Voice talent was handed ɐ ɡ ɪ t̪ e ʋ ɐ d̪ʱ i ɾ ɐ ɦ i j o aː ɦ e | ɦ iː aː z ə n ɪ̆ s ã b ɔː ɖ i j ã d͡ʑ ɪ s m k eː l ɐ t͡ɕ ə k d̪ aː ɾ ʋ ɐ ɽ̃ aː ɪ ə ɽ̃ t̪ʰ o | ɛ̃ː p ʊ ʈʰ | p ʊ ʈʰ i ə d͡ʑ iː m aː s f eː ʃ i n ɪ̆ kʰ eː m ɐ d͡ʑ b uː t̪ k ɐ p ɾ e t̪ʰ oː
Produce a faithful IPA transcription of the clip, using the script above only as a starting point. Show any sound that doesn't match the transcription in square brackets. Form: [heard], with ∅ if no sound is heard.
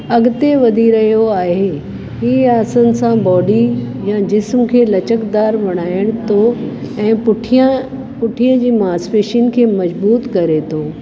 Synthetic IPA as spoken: ɐ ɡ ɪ t̪ e ʋ ɐ d̪ʱ i ɾ ɐ ɦ i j o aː ɦ e | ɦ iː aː [s] ə n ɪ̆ s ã b ɔː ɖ i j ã d͡ʑ ɪ s m [kʰ] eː l ɐ t͡ɕ ə k d̪ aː ɾ ʋ ɐ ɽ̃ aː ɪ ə ɽ̃ t̪ʰ o | ɛ̃ː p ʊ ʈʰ | p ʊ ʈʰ i ə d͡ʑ iː m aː s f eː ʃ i n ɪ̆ kʰ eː m ɐ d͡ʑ b uː t̪ k ɐ [∅] ɾ e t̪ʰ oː